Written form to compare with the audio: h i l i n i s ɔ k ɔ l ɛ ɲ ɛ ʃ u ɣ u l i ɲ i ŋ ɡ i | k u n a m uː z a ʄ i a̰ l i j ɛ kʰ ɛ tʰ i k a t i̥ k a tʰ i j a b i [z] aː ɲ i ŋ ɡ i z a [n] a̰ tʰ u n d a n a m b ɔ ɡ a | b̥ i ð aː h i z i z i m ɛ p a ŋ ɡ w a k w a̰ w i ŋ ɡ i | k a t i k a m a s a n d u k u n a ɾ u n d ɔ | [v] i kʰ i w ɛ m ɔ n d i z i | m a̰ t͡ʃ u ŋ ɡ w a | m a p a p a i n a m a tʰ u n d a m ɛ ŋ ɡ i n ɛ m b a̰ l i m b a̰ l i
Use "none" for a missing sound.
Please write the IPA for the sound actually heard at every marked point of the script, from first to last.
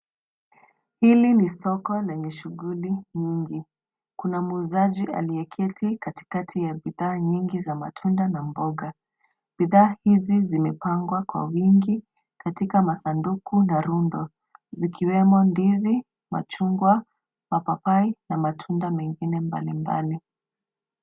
ð, m, z

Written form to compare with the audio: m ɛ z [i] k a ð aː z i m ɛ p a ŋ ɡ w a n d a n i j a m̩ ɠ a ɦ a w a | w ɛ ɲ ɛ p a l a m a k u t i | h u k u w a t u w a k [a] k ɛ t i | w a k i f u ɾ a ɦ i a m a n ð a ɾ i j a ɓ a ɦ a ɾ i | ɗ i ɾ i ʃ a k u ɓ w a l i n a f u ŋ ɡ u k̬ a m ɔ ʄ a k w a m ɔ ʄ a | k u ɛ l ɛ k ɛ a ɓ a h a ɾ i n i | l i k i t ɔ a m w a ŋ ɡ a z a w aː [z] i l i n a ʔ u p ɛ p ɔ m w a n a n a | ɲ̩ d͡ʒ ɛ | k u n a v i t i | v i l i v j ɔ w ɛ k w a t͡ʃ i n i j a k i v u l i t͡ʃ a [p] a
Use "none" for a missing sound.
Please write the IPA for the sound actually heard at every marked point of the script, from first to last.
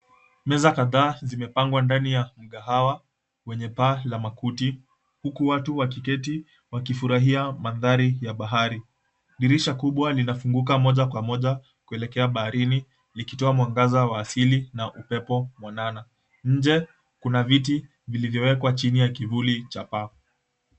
a, i, s, p

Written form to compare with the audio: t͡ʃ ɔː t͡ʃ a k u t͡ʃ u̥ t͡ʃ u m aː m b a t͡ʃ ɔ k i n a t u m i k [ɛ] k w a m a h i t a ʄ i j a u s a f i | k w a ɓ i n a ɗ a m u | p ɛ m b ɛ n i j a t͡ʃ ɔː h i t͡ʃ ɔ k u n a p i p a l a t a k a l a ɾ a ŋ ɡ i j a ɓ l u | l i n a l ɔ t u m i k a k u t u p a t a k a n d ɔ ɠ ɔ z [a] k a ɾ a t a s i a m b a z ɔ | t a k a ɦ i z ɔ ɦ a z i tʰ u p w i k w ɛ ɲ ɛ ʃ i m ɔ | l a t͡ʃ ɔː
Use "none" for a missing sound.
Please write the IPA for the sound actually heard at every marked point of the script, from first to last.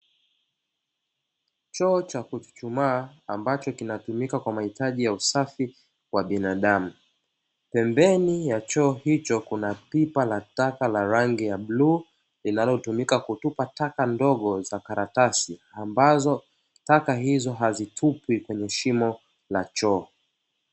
a, a

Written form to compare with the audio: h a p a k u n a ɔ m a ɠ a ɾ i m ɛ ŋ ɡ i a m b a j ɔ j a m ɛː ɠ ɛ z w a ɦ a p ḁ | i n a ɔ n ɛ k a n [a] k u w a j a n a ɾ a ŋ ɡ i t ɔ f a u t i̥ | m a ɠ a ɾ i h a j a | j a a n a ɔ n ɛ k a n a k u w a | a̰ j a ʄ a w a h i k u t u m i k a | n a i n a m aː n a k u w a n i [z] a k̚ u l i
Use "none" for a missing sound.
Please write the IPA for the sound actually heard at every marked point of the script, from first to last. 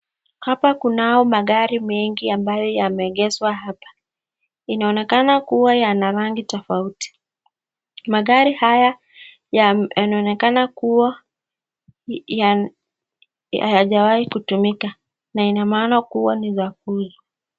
a, z

